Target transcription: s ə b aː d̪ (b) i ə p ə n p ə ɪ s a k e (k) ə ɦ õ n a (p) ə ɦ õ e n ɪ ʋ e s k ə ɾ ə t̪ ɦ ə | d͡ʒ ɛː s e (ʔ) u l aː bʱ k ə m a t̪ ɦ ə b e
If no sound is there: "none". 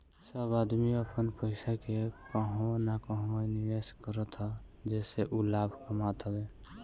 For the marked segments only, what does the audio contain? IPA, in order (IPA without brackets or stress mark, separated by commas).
m, k, k, ʔ